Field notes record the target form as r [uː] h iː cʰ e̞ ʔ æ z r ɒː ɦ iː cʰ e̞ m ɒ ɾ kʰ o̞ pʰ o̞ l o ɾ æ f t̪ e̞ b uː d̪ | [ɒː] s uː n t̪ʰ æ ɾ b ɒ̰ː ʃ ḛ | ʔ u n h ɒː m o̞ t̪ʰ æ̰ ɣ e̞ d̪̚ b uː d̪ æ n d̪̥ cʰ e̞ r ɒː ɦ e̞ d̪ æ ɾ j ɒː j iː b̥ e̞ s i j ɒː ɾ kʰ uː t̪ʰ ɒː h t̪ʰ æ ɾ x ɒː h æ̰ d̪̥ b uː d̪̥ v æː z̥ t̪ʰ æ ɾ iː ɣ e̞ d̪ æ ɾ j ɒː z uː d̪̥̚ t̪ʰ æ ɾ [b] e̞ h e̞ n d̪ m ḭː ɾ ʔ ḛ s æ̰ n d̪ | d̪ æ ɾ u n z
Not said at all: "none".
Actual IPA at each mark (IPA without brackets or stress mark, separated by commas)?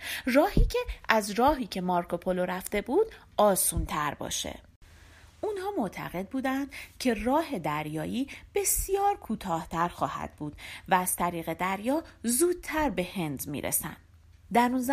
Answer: ɒː, ɒː, b